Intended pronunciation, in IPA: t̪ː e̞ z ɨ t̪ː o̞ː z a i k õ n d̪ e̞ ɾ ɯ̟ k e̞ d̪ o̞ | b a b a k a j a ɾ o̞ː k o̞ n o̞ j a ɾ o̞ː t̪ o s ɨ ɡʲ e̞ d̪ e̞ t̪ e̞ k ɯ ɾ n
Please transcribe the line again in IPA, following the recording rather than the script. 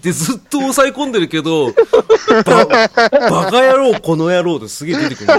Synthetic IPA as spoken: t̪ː e̞ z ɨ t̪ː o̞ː s a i k õ n d̪ e̞ ɾ ɯ̟ k e̞ d̪ o̞ | b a b a k a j a ɾ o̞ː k o̞ n o̞ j a ɾ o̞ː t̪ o s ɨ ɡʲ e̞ d̪ e̞ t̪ e̞ k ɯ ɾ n